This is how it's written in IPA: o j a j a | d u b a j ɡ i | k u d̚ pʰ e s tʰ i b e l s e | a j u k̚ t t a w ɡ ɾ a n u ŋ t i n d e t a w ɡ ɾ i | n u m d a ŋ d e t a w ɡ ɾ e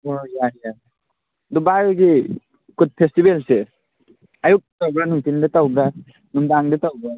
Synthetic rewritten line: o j a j a | d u b a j ɡ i | k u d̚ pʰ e s t i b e l s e | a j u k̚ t t a w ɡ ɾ a n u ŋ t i n d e t a w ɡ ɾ a | n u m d a ŋ d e t a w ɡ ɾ a